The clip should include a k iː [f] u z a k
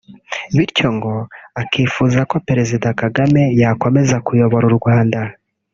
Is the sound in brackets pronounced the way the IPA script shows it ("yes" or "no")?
yes